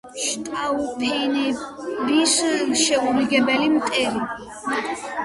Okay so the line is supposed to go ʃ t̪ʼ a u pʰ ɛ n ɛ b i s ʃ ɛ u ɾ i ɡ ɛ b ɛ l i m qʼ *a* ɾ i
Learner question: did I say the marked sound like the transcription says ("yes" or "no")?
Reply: no